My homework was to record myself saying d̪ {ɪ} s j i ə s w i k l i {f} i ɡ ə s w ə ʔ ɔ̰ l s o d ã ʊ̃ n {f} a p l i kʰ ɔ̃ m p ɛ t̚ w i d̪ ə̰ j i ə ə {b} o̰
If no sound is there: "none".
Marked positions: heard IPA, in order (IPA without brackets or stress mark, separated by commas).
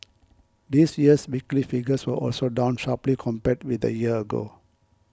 i, f, ʃ, ɡ